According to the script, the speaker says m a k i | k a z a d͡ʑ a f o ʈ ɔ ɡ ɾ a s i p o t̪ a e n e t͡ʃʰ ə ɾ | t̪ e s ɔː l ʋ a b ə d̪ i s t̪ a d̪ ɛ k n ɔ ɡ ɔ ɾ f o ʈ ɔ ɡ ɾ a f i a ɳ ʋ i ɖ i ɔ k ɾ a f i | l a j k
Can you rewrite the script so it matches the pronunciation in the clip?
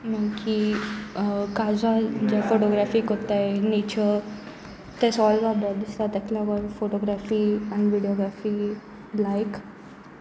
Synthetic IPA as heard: m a k i | k a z a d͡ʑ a f o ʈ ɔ ɡ ɾ a f i k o t̪ a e n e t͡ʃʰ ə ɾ | t̪ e s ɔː l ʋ a b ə d̪ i s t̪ a t̪ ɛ k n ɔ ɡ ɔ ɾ f o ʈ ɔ ɡ ɾ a f i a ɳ ʋ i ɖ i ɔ ɡ ɾ a f i | l a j k